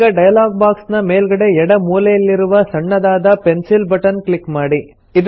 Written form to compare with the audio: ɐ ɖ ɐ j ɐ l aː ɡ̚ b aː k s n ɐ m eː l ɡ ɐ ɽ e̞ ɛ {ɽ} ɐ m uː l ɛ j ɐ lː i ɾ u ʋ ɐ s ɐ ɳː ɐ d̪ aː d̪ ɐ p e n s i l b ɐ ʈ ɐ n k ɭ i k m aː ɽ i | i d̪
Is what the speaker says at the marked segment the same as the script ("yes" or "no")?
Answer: yes